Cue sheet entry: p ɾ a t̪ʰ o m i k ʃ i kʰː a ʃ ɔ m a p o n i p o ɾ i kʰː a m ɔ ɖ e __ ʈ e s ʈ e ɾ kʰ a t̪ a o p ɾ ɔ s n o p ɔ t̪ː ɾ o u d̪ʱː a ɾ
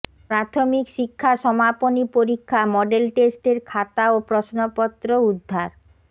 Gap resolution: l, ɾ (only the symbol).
l